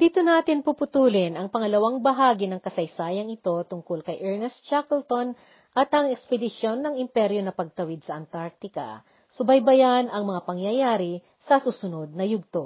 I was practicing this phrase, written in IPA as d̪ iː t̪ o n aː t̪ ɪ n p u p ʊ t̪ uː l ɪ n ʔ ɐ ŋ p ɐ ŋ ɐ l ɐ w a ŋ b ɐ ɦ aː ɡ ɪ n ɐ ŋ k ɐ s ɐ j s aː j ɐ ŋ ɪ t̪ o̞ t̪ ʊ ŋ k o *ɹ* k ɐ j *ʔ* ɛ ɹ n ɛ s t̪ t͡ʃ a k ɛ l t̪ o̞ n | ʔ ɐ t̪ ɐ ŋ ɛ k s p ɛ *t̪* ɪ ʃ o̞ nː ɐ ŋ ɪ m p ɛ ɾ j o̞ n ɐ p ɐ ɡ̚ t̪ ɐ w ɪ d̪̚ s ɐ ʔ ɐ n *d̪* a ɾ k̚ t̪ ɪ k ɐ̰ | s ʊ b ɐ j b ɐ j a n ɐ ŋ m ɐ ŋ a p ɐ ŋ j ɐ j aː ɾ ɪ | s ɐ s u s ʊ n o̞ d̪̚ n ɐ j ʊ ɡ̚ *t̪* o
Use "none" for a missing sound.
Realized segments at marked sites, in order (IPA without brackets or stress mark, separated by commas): l, ʔ, d̪, t̪, t̪